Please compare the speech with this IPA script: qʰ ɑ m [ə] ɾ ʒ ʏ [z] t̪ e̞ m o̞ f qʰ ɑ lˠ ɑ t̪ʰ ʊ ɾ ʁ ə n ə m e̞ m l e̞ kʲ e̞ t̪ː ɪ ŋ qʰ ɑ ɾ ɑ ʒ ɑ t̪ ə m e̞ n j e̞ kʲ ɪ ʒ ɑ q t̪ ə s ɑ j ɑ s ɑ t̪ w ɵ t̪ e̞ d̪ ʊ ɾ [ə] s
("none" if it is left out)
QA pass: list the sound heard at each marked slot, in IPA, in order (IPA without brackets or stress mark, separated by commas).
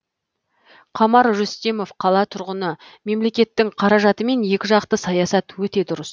ɑ, s, ə